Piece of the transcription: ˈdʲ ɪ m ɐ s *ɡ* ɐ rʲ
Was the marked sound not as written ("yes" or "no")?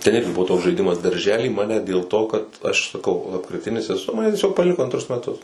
yes